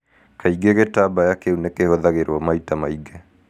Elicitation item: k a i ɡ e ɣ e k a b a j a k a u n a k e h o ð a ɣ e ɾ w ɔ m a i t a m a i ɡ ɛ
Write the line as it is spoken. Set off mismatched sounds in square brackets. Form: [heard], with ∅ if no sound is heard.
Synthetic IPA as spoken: k a i ɡ e ɣ e [t] a b a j a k [e] u n [e] k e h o ð a ɣ e ɾ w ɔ m a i t a m a i ɡ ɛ

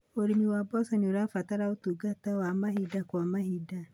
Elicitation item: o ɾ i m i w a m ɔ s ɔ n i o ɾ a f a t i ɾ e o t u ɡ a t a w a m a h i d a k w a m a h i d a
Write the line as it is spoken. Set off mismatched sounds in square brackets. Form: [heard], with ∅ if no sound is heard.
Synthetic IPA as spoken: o ɾ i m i w a [b] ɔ s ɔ n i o ɾ a f a t [a] ɾ [a] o t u ɡ a t a w a m a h i d a k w a m a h i d a

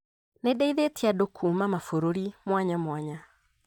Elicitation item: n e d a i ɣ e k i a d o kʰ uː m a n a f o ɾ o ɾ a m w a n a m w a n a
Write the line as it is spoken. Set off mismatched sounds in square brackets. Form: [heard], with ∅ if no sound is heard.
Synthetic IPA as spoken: n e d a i [ð] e [t] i a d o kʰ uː m a [m] a f o ɾ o ɾ [i] m w a [ɲ] a m w a [ɲ] a

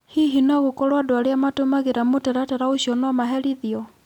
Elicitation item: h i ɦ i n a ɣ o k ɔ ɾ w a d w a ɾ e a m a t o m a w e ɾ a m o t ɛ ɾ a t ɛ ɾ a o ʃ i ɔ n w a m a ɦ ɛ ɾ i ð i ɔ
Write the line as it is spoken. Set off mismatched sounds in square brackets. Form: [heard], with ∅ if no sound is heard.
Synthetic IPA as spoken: h i ɦ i n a ɣ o k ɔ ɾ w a d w a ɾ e a m a t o m a [ɣ] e ɾ a m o t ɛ ɾ a t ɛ ɾ a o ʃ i ɔ n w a m a ɦ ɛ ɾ i ð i ɔ

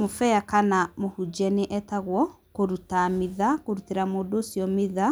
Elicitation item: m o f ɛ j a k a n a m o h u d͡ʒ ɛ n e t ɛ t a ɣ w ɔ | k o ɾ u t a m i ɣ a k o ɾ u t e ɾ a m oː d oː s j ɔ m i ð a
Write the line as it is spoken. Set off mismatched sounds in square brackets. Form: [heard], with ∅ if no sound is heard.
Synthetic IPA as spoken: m o f ɛ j a k a n a m o h u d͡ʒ ɛ n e [ʔ] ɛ t a ɣ w ɔ | k o ɾ u t a m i [ð] a k o ɾ u t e ɾ a m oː d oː s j ɔ m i ð a

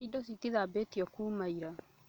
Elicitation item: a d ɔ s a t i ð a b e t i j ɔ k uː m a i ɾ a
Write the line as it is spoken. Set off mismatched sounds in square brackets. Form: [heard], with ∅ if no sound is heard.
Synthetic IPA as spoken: [i] d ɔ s [i] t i ð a b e t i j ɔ k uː m a i ɾ a

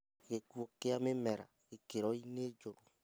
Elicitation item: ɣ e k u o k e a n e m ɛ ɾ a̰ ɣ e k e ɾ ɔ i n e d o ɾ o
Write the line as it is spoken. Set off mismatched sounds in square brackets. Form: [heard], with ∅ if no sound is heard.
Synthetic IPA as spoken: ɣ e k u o k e a [m] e m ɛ ɾ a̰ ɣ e k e ɾ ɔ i n e [d͡ʒ] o ɾ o

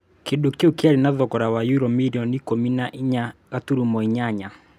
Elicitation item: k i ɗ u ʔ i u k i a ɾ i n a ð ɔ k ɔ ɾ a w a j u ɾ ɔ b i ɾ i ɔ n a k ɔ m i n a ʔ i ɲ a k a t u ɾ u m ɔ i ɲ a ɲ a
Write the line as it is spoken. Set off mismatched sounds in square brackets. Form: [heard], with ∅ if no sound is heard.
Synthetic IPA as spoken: k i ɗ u [k] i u k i a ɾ i n a ð ɔ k ɔ ɾ a w a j u ɾ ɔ [m] i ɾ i ɔ n [i] k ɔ m i n a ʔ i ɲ a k a t u ɾ u m ɔ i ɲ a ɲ a

